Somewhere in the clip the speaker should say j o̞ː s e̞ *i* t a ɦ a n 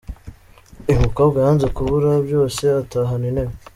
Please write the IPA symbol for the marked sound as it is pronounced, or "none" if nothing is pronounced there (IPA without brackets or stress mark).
a